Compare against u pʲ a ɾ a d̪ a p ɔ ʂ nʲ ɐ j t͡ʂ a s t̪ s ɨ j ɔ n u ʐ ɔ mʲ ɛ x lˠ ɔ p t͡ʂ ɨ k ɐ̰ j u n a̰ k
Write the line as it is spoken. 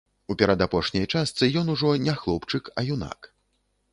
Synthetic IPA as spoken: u pʲ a ɾ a d̪ a p ɔ ʂ nʲ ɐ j t͡ʂ a s t̪ s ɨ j ɔ n u ʐ ɔ nʲ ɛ x lˠ ɔ p t͡ʂ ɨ k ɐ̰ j u n a̰ k